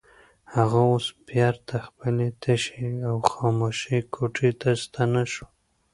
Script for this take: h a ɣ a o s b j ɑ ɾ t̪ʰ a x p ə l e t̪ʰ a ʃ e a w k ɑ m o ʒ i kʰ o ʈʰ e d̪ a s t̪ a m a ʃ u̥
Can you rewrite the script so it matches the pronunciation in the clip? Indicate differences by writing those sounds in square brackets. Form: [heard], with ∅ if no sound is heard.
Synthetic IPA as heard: h a ɣ a o s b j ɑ ɾ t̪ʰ a x p ə l e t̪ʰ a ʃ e a w [x] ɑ m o [ʃ] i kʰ o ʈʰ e [t̪] a s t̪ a [n] a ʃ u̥